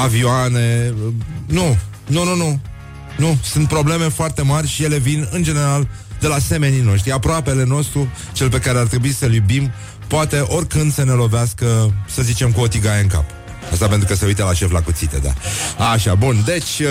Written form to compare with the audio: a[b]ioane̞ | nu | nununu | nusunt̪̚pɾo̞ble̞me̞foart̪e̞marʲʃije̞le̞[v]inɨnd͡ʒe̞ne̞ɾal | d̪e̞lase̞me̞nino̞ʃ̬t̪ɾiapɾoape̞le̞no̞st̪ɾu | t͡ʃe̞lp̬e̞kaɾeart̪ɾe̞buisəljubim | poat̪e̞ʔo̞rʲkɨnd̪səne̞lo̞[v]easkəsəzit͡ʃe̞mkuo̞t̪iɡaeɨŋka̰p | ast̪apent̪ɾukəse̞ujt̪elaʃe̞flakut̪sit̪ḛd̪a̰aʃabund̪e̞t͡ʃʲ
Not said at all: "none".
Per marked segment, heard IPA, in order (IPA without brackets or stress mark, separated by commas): v, v, v